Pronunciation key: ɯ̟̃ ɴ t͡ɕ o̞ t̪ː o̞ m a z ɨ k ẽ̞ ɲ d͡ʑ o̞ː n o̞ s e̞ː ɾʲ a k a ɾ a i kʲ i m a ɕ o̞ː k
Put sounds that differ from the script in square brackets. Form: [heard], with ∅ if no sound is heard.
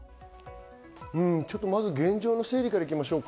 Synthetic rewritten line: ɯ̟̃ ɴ t͡ɕ o̞ t̪ː o̞ m a z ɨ [ɡ] ẽ̞ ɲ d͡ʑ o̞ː n o̞ s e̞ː ɾʲ [i] k a ɾ a i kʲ i m a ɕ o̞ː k